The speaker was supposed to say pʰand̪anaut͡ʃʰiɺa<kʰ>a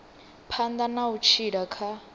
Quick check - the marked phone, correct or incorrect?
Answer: correct